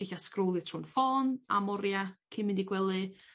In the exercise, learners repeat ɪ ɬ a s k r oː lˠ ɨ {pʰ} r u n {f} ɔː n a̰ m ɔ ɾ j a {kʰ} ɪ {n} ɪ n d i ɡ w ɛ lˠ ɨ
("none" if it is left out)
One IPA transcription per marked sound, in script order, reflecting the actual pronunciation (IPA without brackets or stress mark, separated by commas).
tʰ, f, kʰ, m